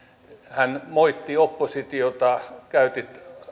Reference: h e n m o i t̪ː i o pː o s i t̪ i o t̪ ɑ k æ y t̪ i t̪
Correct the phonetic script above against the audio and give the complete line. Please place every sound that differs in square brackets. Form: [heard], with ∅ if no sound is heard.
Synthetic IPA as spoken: h [æ] n m o i t̪ː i o pː o s i t̪ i o t̪ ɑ k æ y t̪ i t̪